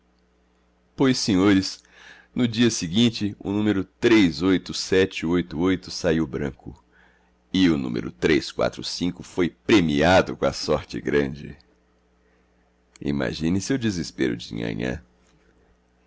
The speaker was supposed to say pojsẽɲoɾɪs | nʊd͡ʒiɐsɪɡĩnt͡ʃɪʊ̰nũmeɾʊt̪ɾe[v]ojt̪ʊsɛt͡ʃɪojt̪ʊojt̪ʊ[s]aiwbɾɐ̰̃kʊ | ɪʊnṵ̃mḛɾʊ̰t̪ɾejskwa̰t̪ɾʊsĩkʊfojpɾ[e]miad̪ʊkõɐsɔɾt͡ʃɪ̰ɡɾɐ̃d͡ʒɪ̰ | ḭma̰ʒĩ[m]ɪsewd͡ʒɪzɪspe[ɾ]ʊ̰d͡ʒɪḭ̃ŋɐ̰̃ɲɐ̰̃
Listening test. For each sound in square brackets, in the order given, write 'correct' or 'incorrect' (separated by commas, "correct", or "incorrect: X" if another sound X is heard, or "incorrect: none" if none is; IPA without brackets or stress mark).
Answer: incorrect: z, correct, correct, incorrect: n, correct